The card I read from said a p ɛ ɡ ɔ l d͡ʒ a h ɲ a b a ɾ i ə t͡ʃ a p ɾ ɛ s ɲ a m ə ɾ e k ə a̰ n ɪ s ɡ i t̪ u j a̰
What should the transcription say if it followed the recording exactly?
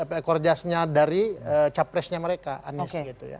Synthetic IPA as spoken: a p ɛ k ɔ r d͡ʒ a s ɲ a d a ɾ i ə t͡ʃ a p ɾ ɛ s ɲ a m ə ɾ e k a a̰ n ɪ s ɡ i t̪ u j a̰